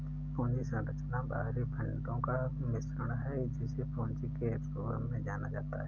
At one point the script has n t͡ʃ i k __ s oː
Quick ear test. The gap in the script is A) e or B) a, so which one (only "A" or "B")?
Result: A